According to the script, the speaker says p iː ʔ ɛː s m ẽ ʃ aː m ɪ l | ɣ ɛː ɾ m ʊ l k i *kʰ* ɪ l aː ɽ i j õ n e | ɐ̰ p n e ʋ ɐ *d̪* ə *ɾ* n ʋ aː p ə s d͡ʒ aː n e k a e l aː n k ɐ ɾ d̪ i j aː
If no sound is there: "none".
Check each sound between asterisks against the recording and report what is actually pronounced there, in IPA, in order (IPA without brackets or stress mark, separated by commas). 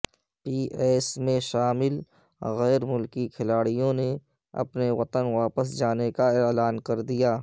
kʰ, t̪, none